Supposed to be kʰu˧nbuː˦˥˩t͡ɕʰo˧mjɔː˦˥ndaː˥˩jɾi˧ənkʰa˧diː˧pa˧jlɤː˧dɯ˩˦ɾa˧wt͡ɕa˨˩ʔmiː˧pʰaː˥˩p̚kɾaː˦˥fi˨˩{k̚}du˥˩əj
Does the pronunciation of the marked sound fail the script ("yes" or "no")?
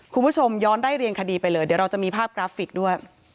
no